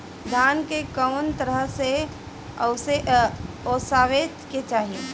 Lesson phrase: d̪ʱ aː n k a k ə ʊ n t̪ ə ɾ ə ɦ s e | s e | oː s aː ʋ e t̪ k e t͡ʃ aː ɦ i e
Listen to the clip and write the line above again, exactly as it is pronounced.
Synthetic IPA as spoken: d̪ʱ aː n k e k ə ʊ n t̪ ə ɾ ə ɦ s e | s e | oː s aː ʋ e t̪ k e t͡ʃ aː ɦ i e